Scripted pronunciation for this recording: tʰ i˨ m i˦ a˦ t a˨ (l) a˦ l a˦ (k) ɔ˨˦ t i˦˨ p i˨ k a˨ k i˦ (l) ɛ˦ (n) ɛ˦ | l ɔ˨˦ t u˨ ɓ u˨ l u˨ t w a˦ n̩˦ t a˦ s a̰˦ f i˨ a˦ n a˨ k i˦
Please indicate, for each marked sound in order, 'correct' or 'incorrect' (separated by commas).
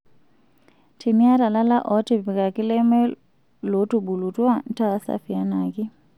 correct, incorrect, correct, incorrect